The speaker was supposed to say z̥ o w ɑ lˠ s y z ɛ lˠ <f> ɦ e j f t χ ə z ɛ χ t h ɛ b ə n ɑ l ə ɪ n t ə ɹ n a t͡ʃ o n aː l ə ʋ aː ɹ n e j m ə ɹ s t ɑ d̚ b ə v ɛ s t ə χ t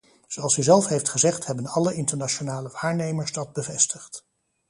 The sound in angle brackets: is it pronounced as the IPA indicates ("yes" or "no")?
yes